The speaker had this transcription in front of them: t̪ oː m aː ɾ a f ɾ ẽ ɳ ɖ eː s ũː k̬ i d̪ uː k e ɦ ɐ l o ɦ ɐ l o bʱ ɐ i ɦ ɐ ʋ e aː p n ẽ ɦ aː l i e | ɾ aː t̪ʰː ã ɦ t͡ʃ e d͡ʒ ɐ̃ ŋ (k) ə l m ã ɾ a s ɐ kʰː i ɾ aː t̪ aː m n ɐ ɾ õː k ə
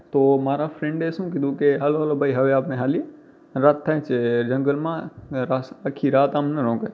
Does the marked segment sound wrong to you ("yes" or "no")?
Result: yes